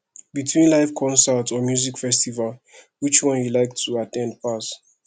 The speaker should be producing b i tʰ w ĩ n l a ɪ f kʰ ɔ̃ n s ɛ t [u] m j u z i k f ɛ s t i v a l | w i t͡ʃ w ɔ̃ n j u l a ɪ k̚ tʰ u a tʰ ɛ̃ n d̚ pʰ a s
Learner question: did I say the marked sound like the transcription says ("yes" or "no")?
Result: no